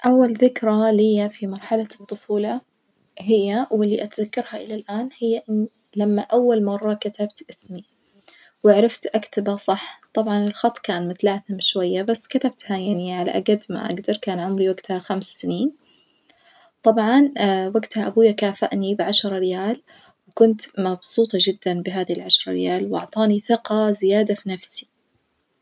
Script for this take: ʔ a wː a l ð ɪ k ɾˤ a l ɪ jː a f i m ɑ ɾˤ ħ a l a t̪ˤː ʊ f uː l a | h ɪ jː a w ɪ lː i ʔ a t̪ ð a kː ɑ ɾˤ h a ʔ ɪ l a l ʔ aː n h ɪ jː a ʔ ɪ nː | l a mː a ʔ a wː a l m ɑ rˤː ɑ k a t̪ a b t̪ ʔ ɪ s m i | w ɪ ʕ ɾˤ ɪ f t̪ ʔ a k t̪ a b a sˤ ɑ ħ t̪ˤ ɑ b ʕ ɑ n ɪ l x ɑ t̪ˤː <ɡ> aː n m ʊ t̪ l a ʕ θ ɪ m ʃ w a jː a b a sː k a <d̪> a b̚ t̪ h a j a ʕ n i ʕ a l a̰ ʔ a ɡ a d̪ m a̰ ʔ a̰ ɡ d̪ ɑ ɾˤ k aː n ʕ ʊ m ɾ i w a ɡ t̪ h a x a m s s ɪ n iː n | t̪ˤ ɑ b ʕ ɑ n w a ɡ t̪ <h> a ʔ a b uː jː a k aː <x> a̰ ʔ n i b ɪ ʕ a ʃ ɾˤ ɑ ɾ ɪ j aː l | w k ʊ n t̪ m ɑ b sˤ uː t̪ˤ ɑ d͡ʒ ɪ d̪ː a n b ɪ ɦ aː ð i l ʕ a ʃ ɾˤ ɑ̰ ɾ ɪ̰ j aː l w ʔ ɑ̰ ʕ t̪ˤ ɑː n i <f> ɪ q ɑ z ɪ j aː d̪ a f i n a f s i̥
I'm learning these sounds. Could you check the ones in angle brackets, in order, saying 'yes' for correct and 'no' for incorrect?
no, no, yes, no, no

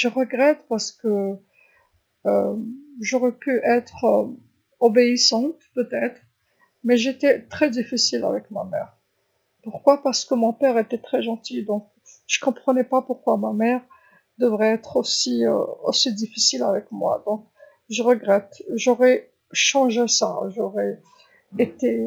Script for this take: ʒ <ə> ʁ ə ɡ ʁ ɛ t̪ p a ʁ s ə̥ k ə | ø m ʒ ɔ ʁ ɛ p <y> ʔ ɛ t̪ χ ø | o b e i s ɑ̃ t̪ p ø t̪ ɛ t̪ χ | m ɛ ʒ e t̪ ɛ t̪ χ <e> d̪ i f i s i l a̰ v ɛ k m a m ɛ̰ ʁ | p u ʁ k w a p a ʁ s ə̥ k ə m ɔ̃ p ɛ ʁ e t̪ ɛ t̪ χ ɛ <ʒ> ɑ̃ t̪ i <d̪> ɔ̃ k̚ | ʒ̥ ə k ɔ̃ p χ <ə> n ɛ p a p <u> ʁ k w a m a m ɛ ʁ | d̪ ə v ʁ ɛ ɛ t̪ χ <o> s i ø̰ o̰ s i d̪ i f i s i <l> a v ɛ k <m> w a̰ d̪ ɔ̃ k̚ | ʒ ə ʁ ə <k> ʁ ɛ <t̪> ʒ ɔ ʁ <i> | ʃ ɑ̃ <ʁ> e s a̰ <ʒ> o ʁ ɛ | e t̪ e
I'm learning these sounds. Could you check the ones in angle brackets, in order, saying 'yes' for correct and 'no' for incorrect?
yes, yes, no, yes, yes, yes, yes, yes, yes, yes, no, yes, no, no, yes

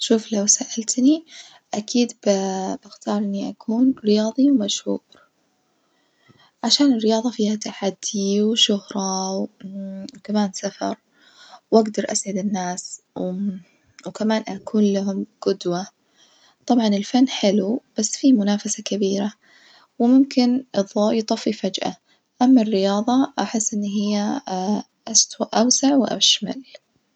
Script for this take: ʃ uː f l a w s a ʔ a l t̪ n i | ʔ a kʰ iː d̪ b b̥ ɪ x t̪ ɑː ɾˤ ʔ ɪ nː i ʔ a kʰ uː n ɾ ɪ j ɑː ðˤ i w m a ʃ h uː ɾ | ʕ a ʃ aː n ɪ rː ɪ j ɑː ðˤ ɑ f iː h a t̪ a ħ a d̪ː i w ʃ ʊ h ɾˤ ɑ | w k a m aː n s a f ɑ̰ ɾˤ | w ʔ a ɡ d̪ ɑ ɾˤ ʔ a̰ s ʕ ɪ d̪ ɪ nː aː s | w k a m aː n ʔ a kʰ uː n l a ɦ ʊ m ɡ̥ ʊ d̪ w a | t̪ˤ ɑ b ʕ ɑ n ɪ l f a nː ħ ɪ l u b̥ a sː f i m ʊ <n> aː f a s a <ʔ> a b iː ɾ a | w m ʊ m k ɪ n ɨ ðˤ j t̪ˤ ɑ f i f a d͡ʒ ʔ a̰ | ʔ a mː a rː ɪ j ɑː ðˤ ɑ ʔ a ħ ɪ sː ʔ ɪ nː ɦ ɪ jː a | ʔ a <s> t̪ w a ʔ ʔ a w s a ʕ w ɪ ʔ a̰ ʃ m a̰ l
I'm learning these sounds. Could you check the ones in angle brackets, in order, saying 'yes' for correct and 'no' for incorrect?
yes, no, yes

